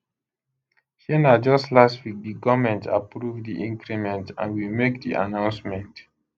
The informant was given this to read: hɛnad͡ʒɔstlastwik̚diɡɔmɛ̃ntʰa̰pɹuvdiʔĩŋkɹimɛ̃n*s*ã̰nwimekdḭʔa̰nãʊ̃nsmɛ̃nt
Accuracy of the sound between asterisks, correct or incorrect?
incorrect